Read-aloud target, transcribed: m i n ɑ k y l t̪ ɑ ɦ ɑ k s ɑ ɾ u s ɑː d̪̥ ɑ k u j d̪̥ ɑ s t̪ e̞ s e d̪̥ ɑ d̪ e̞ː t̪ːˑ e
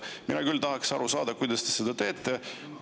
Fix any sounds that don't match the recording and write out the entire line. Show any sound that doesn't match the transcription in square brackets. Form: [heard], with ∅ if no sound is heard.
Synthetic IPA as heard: m i n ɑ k y l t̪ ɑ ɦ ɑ k s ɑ ɾ u s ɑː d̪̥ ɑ k u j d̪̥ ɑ s t̪ e̞ s e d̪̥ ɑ [t̪] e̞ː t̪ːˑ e

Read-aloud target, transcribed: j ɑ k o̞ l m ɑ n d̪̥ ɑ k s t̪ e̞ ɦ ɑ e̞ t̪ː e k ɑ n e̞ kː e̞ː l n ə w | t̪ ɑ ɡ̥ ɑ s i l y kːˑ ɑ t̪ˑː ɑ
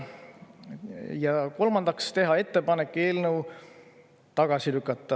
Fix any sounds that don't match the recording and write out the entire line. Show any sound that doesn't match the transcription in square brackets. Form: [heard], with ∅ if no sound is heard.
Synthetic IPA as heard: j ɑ k o̞ l m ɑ n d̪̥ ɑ k s t̪ e̞ ɦ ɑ e̞ t̪ː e [p] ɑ n e̞ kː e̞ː l n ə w | t̪ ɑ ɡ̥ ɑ s i l y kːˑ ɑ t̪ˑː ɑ

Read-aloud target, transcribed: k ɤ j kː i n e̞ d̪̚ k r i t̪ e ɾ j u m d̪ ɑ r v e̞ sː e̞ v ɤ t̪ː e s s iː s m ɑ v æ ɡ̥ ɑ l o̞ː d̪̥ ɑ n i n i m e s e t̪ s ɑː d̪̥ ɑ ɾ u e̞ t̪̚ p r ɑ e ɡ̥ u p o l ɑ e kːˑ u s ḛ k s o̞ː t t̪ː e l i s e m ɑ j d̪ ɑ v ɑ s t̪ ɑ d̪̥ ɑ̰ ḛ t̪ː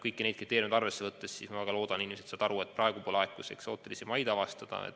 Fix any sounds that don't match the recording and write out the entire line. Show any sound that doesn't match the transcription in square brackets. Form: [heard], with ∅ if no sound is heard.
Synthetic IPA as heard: k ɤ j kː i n e̞ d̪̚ k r i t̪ e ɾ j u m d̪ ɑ r v e̞ sː e̞ v ɤ t̪ː e s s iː s m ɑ v æ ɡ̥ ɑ l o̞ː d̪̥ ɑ n i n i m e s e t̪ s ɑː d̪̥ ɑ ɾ u e̞ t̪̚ p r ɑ e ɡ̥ u p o l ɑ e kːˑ u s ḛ k s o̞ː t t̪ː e l i s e m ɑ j d̪ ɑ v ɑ s t̪ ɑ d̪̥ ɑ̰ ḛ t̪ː

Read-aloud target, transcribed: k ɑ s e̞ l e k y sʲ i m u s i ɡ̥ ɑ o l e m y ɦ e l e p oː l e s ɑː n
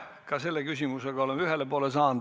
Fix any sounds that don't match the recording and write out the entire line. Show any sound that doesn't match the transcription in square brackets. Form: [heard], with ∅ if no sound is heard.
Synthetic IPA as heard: k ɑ s e̞ [lː] e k y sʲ i m u s [e] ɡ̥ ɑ o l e m y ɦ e l e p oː l e s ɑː n

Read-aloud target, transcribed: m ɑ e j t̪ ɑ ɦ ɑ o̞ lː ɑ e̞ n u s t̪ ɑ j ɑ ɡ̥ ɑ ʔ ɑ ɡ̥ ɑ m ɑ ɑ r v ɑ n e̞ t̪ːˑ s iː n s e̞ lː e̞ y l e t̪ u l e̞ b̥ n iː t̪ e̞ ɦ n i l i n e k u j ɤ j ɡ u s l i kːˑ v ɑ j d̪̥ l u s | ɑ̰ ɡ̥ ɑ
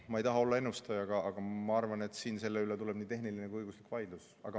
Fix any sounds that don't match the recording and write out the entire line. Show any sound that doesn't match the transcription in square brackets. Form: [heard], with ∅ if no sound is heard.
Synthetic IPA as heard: m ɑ e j t̪ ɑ ɦ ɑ o̞ lː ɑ e̞ n u s t̪ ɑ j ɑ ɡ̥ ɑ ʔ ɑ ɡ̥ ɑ m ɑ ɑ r v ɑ n e̞ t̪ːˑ s iː n s e̞ lː e̞ y l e t̪ u l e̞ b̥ n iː t̪ e̞ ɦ n i l i n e k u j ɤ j ɡ u s l i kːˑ v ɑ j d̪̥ l u s | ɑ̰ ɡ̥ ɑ

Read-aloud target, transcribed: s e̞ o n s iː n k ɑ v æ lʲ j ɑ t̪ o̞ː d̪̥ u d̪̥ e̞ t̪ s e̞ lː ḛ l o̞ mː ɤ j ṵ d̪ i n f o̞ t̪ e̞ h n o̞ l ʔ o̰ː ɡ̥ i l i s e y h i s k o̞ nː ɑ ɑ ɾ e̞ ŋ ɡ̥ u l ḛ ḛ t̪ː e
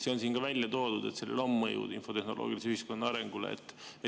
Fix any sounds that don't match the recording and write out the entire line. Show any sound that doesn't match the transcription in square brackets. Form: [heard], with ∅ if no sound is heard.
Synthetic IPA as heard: s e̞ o n s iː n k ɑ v æ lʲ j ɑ t̪ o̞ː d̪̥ u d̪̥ e̞ t̪ s e̞ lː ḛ l o̞ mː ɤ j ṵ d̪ i n f o̞ t̪ e̞ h n o̞ l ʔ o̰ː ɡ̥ i l i s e y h i s k o̞ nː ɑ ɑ ɾ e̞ ŋ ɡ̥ u l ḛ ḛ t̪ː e

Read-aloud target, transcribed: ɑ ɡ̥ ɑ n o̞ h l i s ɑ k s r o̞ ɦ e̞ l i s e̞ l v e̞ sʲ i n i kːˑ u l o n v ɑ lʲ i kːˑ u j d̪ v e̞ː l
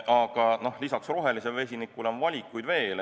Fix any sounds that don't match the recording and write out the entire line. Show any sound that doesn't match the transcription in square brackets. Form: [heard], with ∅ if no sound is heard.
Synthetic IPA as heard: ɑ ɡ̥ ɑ n o̞ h l i s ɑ k s r o̞ ɦ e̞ l i s e̞ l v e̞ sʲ i n i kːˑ u l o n v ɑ lʲ i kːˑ u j d̪ v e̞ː l

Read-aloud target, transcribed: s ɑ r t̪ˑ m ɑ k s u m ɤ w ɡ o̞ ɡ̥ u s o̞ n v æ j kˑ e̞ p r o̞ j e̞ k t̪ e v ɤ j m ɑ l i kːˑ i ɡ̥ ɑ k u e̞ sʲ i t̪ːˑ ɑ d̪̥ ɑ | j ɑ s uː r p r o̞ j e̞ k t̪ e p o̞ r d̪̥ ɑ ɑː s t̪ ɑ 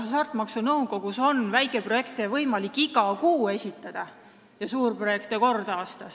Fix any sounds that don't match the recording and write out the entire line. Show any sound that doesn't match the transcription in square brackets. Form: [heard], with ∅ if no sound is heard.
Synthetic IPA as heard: s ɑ r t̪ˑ m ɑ k s u [n] ɤ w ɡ o̞ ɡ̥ u s o̞ n v æ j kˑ e̞ p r o̞ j e̞ k t̪ e v ɤ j m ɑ l i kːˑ i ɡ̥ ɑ k [uː] e̞ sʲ i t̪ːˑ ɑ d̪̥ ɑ | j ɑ s uː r p r o̞ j e̞ k t̪ e [k] o̞ r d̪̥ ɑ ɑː s t̪ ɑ

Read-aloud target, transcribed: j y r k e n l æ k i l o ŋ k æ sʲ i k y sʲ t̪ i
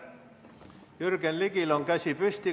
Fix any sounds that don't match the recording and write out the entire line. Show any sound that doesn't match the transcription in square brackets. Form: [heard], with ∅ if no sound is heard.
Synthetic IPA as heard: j y r k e n l [i] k i l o ŋ k æ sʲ i [p] y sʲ t̪ i

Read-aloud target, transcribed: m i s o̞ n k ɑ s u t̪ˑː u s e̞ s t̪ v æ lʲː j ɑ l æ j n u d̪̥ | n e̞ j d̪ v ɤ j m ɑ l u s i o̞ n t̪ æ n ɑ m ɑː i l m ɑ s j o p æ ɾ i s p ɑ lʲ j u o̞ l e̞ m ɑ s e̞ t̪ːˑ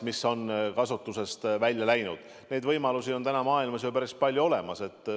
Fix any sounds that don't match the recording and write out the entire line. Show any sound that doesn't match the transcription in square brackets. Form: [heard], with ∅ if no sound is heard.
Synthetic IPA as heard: m i s o̞ n k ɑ s u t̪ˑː u s e̞ s t̪ v æ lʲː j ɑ l æ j n u d̪̥ | n e̞ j d̪ v ɤ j m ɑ l u s i o̞ n t̪ æ n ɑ m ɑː i l m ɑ s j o p æ ɾ i s p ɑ lʲ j u o̞ l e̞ m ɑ s e̞ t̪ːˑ

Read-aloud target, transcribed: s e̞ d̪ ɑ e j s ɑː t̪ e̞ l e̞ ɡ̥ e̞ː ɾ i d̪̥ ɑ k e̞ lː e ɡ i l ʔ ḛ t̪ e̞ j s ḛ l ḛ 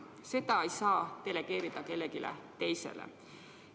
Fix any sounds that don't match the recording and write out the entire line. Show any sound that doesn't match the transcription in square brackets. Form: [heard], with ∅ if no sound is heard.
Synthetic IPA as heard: s e̞ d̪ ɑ e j s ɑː t̪ e̞ l e̞ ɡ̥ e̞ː ɾ i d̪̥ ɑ k e̞ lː e ɡ i l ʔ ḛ t̪ e̞ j s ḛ l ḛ

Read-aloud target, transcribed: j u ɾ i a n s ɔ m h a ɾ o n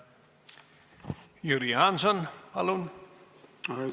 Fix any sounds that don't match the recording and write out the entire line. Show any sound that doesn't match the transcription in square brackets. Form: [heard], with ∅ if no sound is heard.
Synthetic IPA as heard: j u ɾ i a n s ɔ [n] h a [l] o n

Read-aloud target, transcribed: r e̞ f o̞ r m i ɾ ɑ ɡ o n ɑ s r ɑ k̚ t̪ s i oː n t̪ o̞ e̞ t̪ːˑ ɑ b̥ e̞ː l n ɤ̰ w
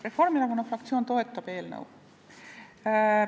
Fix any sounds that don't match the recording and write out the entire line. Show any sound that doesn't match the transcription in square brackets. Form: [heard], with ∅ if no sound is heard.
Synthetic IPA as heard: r e̞ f o̞ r m i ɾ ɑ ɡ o n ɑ [f] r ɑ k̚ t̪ s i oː n t̪ o̞ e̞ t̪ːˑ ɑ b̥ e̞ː l n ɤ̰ w

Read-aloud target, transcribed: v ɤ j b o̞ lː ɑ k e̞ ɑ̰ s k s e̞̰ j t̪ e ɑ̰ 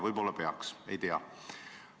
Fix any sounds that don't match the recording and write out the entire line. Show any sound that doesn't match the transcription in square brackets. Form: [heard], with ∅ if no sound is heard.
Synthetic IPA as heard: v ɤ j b o̞ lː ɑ [p] e̞ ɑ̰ [∅] k s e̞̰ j t̪ e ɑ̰

